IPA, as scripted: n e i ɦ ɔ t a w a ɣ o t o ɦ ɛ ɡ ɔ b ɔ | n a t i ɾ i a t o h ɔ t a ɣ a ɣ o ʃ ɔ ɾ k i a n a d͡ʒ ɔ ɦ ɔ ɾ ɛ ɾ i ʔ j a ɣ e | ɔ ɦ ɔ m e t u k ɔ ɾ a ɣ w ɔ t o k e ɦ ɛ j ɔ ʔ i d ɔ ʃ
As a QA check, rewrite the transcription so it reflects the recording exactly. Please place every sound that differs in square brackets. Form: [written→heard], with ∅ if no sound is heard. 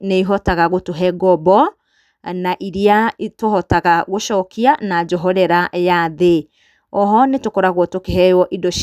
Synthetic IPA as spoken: n e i ɦ ɔ t a [w→ɣ] a ɣ o t o ɦ ɛ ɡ ɔ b ɔ | n a [t→ʔ] i ɾ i a t o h ɔ t a ɣ a ɣ o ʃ ɔ [ɾ→∅] k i a n a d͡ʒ ɔ ɦ ɔ ɾ ɛ ɾ [i→a] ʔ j a [ɣ→ð] e | ɔ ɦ ɔ [m→n] e t [u→o] k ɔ ɾ a ɣ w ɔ t o k e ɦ ɛ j ɔ ʔ i d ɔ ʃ